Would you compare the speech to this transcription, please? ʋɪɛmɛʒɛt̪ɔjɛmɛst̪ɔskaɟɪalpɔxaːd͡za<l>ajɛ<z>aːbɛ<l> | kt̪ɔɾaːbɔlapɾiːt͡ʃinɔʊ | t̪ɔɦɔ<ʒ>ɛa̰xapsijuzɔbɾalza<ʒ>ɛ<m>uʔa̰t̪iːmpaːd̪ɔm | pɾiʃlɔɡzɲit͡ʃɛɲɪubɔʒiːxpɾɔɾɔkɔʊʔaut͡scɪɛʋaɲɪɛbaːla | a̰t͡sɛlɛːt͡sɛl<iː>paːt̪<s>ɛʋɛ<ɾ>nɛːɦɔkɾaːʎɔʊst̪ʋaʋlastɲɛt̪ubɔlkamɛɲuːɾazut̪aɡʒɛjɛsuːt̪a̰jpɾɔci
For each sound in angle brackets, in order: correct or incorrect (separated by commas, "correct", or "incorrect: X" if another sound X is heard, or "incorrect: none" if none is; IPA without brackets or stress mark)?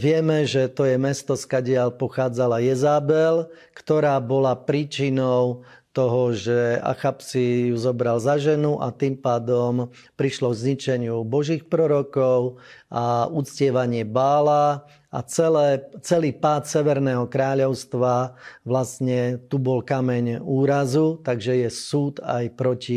correct, correct, correct, correct, correct, incorrect: n, correct, correct, correct